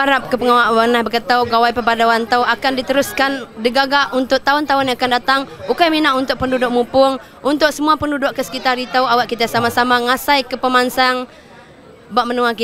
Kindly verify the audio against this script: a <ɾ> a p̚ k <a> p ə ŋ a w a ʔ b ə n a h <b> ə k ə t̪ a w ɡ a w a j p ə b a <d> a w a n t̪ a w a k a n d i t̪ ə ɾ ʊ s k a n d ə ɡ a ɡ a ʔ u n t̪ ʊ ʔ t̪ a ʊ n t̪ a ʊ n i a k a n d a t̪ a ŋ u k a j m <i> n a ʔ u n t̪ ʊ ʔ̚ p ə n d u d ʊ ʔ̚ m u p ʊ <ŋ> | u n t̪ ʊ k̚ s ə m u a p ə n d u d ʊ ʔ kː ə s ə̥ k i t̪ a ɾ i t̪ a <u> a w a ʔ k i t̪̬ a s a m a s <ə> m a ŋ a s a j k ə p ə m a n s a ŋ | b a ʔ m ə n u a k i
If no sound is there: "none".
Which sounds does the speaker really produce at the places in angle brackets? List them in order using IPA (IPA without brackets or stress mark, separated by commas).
ɾ, ə, b, d, i, ŋ, w, a